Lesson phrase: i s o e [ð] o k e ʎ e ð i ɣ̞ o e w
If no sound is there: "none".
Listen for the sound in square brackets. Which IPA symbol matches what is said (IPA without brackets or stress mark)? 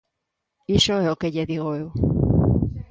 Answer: none